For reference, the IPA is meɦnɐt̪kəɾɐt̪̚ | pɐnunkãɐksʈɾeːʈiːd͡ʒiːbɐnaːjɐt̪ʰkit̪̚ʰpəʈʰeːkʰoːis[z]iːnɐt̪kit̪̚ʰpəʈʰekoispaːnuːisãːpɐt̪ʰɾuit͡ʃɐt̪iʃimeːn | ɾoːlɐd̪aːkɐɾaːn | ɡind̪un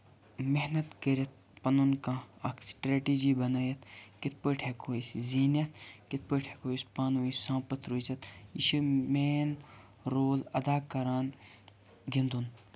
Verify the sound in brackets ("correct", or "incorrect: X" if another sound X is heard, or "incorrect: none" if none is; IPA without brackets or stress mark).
correct